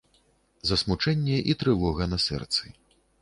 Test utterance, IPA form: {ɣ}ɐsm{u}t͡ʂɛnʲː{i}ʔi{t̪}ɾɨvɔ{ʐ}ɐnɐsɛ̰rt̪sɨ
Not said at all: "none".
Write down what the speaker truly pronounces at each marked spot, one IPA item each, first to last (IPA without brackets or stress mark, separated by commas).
z, u, ɛ, t̪, ɣ